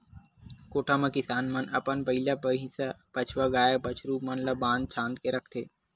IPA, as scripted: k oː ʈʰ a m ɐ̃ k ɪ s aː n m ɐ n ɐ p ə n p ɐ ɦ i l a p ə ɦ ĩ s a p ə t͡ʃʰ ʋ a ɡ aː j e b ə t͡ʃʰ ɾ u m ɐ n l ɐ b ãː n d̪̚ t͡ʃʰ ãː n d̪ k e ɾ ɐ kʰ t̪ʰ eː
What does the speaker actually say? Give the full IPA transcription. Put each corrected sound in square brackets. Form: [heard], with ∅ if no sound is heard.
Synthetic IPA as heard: k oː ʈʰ a m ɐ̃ k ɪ s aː n m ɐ n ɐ p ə n p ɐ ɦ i l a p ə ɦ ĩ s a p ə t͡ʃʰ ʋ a ɡ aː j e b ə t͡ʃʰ ɾ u m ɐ n l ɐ b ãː n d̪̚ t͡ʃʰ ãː n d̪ k e ɾ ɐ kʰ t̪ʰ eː